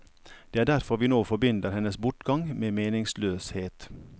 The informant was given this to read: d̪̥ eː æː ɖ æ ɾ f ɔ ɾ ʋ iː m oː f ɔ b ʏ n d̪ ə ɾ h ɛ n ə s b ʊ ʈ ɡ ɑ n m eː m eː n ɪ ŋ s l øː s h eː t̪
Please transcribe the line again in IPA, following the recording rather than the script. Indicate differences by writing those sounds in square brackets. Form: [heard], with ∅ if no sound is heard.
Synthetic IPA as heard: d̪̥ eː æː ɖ æ ɾ f ɔ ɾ ʋ iː [n] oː f ɔ b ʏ n d̪ ə ɾ h ɛ n ə s b ʊ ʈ ɡ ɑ [ŋ] m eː m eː n ɪ ŋ s l øː s h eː t̪